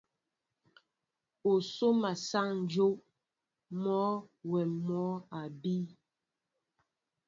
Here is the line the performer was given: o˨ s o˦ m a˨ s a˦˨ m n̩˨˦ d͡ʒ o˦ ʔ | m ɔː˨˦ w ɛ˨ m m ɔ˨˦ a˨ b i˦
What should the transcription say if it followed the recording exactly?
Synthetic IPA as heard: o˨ s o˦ m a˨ s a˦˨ ŋ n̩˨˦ d͡ʒ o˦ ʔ | m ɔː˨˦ w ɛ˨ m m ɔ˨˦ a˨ b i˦